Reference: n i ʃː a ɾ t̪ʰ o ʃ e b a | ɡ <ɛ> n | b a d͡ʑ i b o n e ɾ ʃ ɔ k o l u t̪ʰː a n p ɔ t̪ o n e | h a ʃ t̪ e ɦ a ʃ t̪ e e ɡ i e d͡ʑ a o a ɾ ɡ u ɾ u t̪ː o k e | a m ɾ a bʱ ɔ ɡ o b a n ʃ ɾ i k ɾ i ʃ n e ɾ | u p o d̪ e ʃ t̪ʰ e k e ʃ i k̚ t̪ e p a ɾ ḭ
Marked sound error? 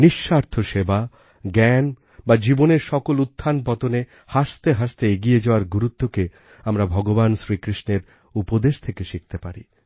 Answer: no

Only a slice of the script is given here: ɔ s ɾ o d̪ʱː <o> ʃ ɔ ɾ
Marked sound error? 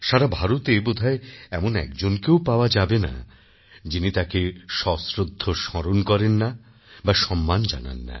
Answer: no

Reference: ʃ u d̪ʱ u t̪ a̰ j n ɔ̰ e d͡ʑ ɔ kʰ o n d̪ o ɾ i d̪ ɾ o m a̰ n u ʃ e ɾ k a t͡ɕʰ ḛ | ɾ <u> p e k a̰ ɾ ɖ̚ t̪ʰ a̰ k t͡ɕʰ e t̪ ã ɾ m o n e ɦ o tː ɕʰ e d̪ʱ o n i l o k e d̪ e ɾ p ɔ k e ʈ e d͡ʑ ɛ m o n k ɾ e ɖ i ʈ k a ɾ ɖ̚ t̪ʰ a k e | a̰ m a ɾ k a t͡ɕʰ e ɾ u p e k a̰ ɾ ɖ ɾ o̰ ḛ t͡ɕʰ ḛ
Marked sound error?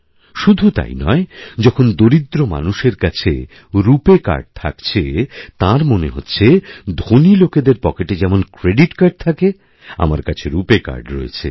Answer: no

